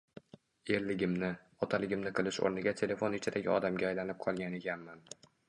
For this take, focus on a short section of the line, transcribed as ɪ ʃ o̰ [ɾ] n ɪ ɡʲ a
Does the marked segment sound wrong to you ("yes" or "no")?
no